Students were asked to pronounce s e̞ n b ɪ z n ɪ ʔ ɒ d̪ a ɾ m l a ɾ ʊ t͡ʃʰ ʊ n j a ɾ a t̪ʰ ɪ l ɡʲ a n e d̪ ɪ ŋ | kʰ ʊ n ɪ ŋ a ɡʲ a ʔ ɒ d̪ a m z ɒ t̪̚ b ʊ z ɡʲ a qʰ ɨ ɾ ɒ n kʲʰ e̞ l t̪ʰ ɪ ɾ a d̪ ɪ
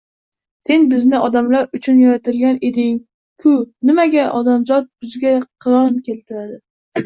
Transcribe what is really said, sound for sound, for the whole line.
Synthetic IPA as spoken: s e̞ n b ɪ z n ɪ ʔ ɒ d̪ a m l a ɾ ʊ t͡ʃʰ ʊ n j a ɾ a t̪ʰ ɪ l ɡʲ a n e d̪ ɪ ŋ | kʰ ʊ n ɪ m a ɡʲ a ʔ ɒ d̪ a m z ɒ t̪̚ b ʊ z ɡʲ a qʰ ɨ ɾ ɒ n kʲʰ e̞ l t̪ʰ ɪ ɾ a d̪ ɪ